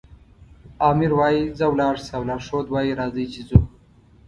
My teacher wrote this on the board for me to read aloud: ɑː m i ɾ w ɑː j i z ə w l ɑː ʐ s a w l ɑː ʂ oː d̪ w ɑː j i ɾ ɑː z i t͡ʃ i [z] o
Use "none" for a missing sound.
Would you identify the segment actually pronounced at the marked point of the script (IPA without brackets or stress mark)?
z